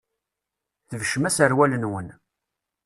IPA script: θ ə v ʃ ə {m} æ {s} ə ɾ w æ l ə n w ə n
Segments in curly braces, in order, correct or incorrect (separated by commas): correct, correct